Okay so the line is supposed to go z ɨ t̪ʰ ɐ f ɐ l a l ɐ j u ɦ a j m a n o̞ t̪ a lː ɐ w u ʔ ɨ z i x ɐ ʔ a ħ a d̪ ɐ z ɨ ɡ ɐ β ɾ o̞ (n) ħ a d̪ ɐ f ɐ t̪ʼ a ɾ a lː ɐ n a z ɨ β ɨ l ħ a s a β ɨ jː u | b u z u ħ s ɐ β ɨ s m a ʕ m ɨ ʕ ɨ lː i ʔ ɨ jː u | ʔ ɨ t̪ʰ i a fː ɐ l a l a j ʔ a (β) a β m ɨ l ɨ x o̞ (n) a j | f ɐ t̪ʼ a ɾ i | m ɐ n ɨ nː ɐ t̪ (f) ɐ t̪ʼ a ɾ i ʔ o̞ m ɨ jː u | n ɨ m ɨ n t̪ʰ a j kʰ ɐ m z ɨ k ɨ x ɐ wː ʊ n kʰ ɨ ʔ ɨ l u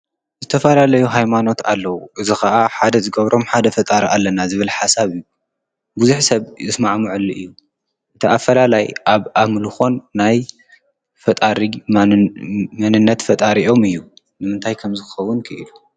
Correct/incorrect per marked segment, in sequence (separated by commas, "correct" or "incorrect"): incorrect, correct, incorrect, correct